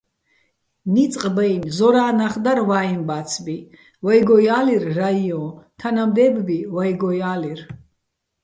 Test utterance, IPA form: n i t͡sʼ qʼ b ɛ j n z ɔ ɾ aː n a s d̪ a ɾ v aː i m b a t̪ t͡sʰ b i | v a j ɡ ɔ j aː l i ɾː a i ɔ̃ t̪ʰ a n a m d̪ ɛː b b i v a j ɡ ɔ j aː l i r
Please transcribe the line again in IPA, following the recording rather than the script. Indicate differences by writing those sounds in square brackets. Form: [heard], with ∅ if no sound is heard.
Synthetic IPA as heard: n i t͡sʼ qʼ b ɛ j n z ɔ ɾ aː n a [χ] d̪ a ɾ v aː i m b a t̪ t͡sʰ b i | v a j ɡ ɔ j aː l i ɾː a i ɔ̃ t̪ʰ a n a m d̪ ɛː b b i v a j ɡ ɔ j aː l i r